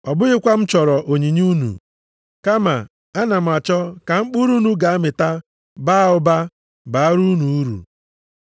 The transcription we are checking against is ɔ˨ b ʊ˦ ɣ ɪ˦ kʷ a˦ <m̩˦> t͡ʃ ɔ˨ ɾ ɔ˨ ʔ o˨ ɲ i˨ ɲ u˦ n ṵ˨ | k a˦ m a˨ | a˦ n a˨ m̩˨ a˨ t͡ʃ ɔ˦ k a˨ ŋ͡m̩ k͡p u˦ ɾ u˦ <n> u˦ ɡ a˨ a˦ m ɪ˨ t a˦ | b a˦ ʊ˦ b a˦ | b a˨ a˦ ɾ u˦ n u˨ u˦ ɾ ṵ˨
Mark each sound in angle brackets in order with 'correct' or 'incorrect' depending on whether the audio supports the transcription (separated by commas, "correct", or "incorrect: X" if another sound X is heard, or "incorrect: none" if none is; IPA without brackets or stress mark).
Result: correct, correct